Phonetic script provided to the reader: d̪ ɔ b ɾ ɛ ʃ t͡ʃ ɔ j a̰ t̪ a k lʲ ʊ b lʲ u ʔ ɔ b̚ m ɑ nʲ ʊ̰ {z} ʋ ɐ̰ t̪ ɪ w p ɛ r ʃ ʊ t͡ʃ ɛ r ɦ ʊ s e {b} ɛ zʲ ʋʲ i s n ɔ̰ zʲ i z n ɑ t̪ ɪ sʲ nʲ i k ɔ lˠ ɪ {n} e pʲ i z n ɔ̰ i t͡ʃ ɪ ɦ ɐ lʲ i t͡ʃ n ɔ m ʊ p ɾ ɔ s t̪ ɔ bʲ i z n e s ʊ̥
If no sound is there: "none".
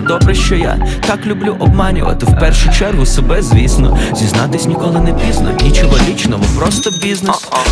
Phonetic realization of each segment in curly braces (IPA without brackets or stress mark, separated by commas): none, b, n